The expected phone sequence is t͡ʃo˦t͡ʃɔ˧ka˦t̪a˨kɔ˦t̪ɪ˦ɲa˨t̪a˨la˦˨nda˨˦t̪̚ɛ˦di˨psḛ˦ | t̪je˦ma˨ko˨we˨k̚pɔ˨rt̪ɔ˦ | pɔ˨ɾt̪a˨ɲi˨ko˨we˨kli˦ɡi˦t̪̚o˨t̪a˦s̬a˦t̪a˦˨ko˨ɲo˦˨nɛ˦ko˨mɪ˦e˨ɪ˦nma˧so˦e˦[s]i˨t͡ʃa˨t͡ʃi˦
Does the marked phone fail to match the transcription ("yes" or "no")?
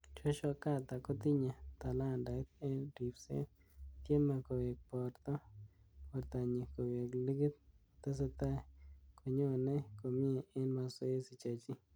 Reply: no